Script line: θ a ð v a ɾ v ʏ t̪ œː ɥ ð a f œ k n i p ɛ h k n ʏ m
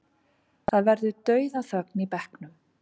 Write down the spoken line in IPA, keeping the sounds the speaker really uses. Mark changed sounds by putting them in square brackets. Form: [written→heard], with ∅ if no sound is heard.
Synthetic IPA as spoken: θ a ð v [a→ɛ] ɾ [v→ð] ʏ t̪ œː ɥ ð a [f→θ] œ k n i p ɛ h k n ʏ m